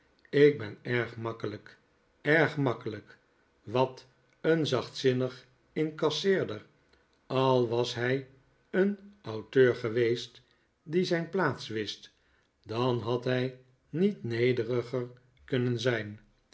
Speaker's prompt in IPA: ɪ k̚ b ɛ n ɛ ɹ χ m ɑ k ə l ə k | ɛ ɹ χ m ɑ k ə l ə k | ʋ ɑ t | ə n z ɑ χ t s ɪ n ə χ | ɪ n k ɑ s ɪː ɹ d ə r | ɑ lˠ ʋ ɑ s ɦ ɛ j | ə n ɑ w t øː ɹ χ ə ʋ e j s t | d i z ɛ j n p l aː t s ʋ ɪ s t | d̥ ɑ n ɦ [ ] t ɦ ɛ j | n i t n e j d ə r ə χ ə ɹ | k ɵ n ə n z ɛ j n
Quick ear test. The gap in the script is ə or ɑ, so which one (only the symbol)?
ɑ